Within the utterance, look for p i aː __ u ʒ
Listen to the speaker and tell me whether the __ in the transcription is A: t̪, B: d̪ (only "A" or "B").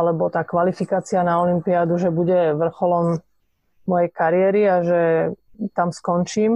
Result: B